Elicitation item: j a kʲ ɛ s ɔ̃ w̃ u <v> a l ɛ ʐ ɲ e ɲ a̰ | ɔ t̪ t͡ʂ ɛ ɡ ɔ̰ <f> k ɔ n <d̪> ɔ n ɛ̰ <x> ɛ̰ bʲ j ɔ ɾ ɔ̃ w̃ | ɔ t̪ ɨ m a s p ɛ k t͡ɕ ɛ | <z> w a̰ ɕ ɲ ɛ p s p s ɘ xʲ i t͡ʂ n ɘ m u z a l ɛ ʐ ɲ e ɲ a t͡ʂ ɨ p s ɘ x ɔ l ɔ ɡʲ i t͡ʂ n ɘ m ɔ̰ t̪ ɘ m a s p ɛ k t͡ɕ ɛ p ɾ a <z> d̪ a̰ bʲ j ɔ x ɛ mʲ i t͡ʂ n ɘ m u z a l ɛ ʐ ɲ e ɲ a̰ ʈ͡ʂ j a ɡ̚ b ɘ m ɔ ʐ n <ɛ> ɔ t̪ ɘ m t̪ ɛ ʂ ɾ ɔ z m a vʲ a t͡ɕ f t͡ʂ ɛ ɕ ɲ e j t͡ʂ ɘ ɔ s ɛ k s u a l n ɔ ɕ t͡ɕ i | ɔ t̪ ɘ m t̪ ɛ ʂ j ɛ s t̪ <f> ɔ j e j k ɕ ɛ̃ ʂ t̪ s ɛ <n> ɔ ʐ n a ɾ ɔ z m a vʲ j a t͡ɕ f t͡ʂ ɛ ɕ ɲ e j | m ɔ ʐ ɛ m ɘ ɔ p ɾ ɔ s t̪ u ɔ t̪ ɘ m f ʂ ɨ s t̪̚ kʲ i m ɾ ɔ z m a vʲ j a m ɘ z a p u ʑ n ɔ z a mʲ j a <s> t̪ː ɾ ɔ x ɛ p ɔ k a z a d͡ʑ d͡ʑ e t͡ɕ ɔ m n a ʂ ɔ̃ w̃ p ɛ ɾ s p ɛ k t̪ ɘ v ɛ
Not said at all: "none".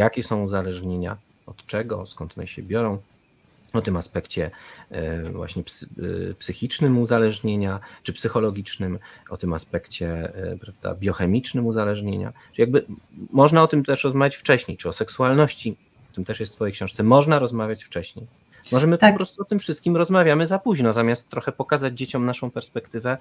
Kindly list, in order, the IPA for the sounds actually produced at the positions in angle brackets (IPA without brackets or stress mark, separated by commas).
z, s, t̪, ɕ, v, v, a, f, m, s